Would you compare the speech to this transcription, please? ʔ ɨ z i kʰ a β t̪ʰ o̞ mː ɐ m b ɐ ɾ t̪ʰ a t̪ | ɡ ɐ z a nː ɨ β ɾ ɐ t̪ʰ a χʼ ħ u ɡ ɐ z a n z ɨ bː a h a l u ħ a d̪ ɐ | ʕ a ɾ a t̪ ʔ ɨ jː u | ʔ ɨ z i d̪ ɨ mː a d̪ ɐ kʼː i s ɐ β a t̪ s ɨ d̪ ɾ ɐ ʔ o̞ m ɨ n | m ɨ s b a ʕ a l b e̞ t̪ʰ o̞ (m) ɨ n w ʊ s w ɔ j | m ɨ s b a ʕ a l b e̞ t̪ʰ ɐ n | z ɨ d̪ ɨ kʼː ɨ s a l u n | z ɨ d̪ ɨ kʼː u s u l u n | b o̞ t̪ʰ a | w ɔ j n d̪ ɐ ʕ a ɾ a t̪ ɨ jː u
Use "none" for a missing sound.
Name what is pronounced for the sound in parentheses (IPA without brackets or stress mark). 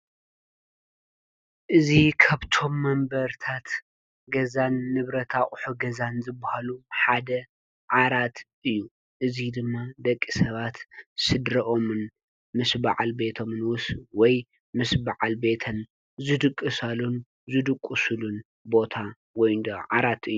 m